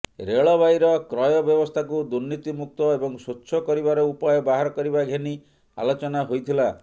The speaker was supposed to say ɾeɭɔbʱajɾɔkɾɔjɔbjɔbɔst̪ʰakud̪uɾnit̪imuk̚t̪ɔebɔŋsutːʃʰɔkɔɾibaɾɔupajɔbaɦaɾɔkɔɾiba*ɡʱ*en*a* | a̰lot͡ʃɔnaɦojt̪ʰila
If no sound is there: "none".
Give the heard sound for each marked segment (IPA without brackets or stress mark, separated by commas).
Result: ɡʱ, i